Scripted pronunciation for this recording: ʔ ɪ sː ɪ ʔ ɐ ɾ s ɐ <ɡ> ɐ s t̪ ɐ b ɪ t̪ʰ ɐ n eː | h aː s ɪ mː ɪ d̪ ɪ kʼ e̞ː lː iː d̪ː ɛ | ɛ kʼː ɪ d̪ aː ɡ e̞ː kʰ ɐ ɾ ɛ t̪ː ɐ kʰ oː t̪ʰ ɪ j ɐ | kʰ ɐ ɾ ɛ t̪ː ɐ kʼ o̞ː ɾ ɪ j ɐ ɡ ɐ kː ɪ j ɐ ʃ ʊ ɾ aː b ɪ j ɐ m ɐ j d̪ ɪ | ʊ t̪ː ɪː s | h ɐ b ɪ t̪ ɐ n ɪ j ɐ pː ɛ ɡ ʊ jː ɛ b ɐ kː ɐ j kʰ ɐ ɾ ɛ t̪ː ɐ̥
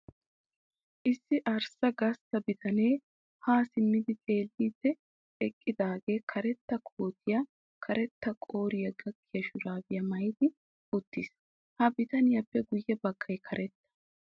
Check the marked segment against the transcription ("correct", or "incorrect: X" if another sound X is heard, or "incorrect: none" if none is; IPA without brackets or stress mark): correct